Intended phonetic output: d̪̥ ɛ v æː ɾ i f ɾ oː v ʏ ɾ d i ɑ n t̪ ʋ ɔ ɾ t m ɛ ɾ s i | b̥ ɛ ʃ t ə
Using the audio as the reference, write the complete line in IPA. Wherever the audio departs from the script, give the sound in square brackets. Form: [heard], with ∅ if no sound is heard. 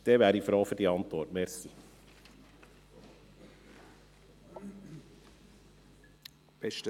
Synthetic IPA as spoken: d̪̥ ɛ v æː ɾ i f ɾ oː [f] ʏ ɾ d i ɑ n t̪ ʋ ɔ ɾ t m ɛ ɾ s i | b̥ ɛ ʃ t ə